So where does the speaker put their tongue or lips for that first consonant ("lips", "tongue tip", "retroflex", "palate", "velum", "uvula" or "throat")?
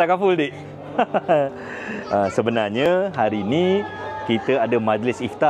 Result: velum